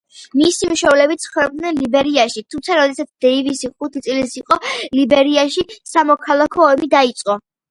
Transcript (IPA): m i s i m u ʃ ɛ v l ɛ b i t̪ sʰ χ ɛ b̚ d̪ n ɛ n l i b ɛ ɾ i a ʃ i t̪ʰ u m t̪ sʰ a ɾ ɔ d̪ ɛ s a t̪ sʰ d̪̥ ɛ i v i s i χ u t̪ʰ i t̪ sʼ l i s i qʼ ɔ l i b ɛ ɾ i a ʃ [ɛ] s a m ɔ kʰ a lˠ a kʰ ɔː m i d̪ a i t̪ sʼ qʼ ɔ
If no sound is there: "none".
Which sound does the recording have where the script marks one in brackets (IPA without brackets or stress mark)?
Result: i